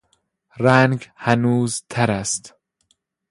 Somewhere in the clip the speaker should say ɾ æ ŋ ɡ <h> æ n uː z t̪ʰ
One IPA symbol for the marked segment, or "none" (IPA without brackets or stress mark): h